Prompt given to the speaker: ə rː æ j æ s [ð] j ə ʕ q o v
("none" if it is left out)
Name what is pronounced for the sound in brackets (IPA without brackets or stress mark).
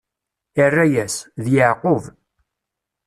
ð